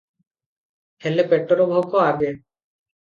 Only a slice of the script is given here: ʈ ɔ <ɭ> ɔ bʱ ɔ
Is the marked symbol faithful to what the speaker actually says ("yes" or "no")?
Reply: no